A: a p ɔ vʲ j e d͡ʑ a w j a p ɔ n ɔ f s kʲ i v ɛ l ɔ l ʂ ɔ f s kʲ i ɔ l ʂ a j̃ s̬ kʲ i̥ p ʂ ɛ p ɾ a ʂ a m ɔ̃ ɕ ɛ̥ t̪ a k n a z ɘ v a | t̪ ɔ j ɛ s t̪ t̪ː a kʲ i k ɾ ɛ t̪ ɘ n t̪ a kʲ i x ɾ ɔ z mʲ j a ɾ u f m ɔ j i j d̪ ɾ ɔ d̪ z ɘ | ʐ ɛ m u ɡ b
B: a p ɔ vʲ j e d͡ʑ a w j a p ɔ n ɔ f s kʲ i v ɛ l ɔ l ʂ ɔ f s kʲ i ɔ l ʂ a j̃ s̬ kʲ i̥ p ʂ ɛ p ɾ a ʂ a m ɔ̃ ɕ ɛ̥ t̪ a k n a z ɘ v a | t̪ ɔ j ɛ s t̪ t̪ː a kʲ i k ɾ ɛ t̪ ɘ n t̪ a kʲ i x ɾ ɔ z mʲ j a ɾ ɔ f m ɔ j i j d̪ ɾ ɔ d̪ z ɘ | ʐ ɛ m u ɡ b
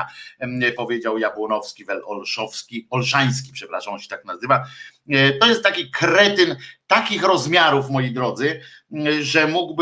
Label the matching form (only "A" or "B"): A